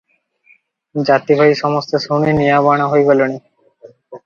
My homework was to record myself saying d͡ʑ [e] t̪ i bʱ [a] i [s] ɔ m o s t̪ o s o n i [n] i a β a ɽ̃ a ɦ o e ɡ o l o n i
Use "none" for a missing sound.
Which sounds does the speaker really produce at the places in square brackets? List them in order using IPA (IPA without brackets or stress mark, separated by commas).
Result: a, a, ʃ, n